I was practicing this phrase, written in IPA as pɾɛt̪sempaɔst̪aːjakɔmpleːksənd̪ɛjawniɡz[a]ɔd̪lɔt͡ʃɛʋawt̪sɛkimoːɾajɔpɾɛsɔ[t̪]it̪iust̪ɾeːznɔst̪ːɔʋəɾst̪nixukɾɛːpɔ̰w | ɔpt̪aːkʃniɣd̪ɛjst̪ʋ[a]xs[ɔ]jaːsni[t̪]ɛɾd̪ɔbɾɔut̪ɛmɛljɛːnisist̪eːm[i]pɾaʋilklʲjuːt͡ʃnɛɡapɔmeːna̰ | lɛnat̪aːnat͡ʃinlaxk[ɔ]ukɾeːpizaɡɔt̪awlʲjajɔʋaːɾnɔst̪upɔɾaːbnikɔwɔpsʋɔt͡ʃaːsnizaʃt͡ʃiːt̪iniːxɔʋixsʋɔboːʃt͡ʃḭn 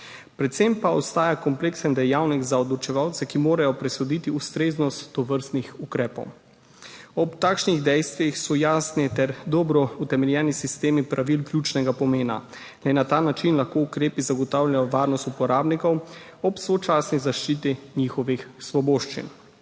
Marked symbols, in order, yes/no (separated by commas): yes, no, no, yes, yes, yes, no